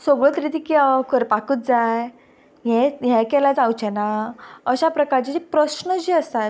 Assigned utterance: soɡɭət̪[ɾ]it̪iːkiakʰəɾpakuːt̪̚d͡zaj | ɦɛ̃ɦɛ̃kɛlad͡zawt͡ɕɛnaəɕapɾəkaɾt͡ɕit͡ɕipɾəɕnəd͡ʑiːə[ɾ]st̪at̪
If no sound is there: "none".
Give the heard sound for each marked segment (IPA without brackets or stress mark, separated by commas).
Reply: ɾ, none